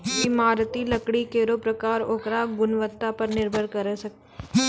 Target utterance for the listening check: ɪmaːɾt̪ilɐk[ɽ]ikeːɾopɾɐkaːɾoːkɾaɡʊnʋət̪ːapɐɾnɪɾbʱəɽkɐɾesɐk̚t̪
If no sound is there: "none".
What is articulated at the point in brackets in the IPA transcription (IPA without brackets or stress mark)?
ɽ